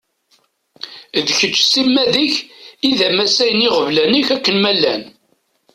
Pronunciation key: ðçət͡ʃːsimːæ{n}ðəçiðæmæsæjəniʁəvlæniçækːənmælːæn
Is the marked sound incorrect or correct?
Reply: incorrect